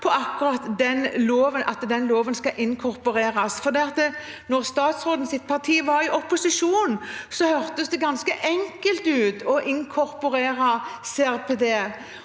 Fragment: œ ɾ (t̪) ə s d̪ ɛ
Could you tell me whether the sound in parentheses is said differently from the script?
no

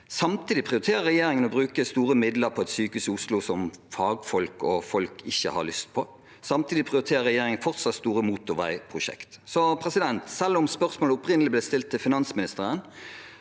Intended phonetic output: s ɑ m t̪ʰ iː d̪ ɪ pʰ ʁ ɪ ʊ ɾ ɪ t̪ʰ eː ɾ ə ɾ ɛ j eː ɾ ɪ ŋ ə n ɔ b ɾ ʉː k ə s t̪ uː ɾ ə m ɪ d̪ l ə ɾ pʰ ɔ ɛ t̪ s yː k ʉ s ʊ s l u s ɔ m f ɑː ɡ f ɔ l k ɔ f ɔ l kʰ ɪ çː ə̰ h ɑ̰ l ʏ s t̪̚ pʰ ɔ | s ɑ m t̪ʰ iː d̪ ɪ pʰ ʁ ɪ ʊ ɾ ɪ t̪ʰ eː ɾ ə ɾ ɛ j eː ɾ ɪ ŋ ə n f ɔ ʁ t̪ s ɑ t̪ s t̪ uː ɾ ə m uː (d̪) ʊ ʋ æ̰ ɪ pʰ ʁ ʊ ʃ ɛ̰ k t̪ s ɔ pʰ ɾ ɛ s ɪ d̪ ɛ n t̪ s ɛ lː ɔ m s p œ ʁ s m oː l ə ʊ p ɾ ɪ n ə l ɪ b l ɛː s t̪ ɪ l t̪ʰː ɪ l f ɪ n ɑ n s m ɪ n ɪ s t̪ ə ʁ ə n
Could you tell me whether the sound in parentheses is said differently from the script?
yes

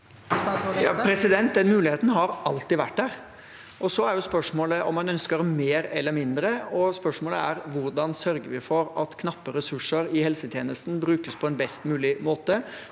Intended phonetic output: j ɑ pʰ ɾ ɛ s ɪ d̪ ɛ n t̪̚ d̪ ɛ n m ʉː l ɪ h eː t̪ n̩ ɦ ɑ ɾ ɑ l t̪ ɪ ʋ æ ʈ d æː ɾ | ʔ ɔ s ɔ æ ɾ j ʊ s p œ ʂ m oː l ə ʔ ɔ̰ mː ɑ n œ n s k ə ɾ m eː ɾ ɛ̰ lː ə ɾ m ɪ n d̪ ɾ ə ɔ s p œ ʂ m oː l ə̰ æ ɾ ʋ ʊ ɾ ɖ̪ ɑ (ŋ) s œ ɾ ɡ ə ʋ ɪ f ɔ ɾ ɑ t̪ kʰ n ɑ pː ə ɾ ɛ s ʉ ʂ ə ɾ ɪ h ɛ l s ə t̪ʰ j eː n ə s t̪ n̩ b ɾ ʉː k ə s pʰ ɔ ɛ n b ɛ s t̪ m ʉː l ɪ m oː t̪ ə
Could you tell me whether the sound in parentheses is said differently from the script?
yes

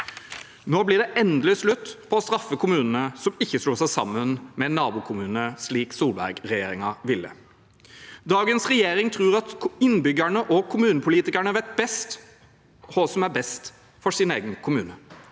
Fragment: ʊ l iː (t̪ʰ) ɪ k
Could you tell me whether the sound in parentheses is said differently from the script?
yes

